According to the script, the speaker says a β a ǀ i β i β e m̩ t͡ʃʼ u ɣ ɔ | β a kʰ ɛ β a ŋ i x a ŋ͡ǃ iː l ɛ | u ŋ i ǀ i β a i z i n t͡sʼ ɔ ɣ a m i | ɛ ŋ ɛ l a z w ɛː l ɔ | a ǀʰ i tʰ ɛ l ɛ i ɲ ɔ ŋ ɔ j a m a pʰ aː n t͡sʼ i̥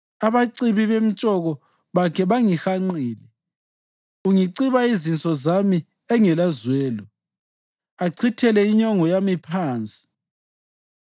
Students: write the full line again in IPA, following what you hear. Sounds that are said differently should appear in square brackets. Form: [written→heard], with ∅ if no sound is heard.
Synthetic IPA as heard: a β a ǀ i β i β e m̩ t͡ʃʼ [u→ɔ] ɣ ɔ | β a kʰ ɛ β a ŋ i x a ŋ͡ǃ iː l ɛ | u ŋ i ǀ i β a i z i n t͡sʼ ɔ [ɣ→z] a m i | ɛ ŋ ɛ l a z w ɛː l ɔ | a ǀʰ i tʰ ɛ l ɛ i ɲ ɔ ŋ ɔ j a m [a→i] pʰ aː n t͡sʼ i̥

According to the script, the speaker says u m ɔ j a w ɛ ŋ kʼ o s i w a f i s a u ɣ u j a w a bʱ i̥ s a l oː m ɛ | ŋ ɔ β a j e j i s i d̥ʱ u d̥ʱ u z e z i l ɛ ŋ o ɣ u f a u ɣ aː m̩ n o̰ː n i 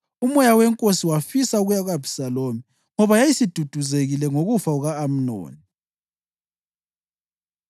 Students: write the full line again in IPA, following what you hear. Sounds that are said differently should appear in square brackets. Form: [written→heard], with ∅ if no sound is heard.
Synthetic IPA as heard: u m ɔ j a w ɛ ŋ kʼ o s i w a f i s a u ɣ u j a [w→ɣ] a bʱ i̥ s a l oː m [ɛ→i] | ŋ ɔ β a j [e→a] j i s i d̥ʱ u d̥ʱ u z e [z→ɣ] i l ɛ ŋ o ɣ u f a u ɣ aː m̩ n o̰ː n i

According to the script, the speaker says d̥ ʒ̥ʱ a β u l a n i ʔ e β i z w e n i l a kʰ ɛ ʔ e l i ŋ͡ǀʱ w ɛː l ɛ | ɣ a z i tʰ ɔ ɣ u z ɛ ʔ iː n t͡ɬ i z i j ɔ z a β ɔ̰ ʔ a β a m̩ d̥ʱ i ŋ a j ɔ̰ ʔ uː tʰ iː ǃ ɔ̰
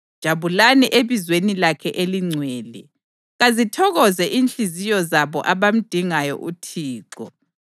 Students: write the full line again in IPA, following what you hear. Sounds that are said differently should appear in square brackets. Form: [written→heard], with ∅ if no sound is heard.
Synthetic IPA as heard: d̥ ʒ̥ʱ a β u l a n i ʔ e β i z w e n i l a kʰ ɛ ʔ e l i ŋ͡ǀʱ w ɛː l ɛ | ɣ a z i tʰ ɔ ɣ [u→ɔ] z ɛ ʔ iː n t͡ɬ i z i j ɔ z a β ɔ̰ ʔ a β a m̩ d̥ʱ i ŋ a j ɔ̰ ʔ [uː→u] tʰ iː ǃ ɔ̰

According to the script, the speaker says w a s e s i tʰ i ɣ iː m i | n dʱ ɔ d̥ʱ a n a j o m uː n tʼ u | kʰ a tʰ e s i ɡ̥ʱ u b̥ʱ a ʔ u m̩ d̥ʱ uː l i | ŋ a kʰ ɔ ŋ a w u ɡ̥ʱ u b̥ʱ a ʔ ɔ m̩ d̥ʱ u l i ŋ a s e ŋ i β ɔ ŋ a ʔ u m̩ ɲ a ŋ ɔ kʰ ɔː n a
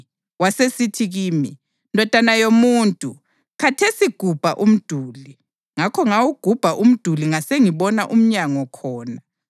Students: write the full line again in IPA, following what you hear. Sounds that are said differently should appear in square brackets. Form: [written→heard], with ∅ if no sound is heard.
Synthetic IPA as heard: w a s e s i tʰ i ɣ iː m i | n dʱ ɔ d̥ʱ a n a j o m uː n tʼ u | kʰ a tʰ e s i ɡ̥ʱ u b̥ʱ a ʔ u m̩ d̥ʱ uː l i | ŋ a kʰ ɔ ŋ a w u ɡ̥ʱ u b̥ʱ a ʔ [ɔ→u] m̩ d̥ʱ u l i ŋ a s e ŋ i β ɔ [ŋ→n] a ʔ u m̩ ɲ a ŋ ɔ kʰ ɔː n a

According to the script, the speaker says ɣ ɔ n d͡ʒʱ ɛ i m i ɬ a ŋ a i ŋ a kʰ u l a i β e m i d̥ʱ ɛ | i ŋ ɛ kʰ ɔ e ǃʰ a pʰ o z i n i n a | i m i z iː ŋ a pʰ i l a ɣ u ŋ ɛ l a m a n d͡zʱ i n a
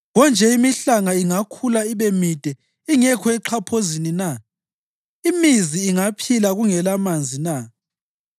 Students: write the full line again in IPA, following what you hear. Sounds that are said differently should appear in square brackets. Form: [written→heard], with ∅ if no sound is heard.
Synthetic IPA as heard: ɣ ɔ n d͡ʒʱ ɛ i m i ɬ a ŋ a i ŋ a kʰ u l a i β e m i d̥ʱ ɛ | i ŋ ɛ kʰ ɔ [e→ɛ] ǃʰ a pʰ o z i n i n a | i m i z iː ŋ a pʰ i l a ɣ u ŋ ɛ l a m a n d͡zʱ i n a

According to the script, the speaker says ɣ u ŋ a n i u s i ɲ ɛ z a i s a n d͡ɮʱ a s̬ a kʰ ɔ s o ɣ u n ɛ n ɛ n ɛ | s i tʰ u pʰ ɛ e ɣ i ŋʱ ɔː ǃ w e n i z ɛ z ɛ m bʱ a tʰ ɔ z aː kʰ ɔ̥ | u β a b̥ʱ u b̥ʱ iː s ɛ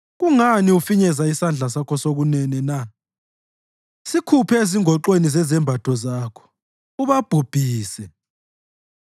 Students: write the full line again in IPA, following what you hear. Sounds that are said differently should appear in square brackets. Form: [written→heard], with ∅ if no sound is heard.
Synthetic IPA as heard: ɣ u ŋ a n i u [s→f] i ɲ ɛ z a i s a n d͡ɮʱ a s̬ a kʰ ɔ s o ɣ u n ɛ n ɛ n [ɛ→a] | s i [tʰ→kʰ] u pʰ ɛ e [ɣ→z] i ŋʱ [ɔː→ɔ] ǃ w e n i z ɛ z ɛ m bʱ a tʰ ɔ z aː kʰ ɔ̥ | u β a b̥ʱ u b̥ʱ iː s ɛ

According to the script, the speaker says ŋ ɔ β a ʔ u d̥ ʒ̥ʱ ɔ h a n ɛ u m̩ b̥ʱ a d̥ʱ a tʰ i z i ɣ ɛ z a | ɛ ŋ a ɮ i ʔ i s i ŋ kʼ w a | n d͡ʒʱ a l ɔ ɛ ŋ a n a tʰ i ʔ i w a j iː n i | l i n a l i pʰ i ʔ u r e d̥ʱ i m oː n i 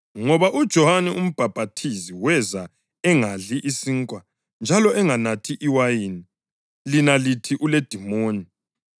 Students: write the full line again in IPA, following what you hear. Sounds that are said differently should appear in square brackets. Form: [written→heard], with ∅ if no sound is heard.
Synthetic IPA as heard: ŋ ɔ β a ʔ u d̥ ʒ̥ʱ ɔ h a n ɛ u m̩ b̥ʱ a [d̥ʱ→b̥ʱ] a tʰ i z i [ɣ→w] ɛ z a | ɛ ŋ a ɮ i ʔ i s i ŋ kʼ w a | n d͡ʒʱ a l ɔ ɛ ŋ a n a tʰ i ʔ i w a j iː n i | l i n a l i [pʰ→tʰ] i ʔ u [r→l] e d̥ʱ i m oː n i

